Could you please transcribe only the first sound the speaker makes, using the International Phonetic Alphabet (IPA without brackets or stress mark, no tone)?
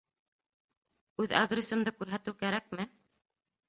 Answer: ʉ